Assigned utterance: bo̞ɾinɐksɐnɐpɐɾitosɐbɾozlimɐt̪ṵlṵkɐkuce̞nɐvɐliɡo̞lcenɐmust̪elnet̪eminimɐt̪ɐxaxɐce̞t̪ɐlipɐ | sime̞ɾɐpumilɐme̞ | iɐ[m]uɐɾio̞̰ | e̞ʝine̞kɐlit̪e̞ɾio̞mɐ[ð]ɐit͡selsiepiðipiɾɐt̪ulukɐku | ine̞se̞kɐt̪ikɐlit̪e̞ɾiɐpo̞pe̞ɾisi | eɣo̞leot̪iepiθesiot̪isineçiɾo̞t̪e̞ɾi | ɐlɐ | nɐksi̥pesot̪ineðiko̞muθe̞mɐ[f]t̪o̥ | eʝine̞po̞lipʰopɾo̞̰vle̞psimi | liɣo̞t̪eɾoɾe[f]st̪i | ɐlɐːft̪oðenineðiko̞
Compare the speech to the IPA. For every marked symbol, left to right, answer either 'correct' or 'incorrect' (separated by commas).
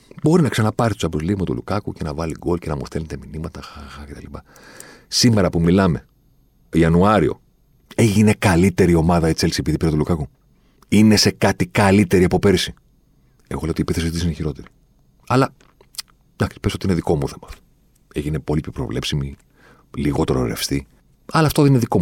incorrect, correct, correct, correct